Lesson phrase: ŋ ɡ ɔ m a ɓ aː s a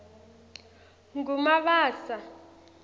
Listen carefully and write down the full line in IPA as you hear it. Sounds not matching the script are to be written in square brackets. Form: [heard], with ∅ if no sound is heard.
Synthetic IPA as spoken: ŋ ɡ [u] m a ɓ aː s a